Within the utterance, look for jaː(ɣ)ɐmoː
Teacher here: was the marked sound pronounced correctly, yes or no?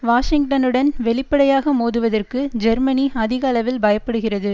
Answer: yes